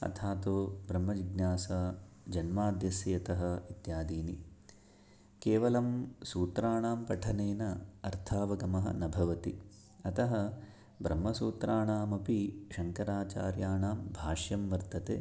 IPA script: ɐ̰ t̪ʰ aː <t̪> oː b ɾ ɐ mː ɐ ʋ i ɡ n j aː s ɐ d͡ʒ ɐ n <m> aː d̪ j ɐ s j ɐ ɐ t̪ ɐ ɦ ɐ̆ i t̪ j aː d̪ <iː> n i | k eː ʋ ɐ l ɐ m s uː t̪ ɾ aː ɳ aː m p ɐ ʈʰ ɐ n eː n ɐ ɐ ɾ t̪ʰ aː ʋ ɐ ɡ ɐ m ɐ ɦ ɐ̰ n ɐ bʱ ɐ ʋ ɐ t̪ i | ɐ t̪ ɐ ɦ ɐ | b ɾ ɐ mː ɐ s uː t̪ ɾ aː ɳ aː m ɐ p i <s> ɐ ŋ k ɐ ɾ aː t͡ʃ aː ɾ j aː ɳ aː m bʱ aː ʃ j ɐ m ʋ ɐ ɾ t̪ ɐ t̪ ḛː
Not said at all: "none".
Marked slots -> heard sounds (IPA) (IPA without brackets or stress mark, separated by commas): t̪, m, iː, ʃ